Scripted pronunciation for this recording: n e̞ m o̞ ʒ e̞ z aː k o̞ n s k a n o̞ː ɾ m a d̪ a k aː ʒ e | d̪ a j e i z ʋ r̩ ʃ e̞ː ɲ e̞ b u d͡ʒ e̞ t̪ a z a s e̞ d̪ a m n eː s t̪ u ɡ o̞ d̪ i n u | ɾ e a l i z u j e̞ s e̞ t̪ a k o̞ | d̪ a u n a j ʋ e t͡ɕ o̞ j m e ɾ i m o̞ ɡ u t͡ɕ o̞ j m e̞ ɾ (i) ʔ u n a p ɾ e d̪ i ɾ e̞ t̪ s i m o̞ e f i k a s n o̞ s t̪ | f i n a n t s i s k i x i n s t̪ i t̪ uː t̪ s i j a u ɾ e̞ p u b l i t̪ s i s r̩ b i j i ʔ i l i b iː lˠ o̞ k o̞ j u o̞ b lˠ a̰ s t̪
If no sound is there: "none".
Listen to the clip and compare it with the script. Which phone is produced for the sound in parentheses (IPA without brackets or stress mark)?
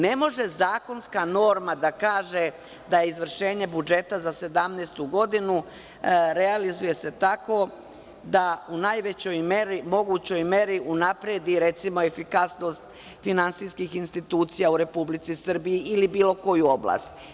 i